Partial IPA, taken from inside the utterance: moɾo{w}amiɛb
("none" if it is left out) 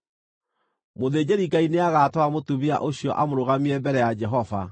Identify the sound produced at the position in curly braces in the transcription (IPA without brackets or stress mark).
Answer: ɣ